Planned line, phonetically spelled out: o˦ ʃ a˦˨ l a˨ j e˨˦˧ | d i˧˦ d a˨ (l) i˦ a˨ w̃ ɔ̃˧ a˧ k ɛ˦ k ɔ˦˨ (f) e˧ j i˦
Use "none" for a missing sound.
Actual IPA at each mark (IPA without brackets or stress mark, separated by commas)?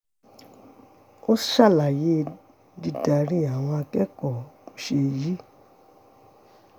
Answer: ɾ, ʃ